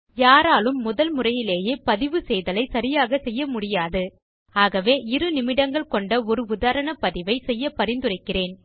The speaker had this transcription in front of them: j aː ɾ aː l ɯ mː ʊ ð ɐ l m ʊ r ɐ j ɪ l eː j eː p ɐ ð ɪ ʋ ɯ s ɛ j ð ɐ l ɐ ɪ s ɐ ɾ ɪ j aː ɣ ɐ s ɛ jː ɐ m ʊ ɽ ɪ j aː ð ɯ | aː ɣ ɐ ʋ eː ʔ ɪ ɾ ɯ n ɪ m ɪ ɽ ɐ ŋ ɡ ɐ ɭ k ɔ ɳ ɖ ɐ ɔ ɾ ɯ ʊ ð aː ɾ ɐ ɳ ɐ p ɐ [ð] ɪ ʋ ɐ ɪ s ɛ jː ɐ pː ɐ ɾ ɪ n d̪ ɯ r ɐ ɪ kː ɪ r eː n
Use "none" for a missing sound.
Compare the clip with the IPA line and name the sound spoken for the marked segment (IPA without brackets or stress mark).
ð